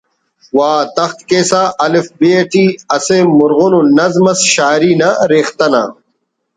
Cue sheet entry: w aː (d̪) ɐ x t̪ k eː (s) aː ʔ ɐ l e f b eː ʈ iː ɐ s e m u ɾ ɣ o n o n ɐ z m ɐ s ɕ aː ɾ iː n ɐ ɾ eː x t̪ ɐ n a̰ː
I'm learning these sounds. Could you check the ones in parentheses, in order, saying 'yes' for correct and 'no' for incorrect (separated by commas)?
no, yes